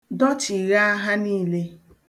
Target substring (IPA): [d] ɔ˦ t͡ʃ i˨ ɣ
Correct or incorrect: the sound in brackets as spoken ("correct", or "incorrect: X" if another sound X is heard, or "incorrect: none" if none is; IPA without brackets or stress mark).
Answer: correct